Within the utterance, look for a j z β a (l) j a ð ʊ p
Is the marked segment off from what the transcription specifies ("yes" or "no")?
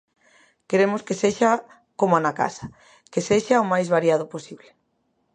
yes